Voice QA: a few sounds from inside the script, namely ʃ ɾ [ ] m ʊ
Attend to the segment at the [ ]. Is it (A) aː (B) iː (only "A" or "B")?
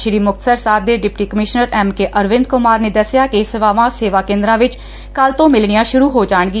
B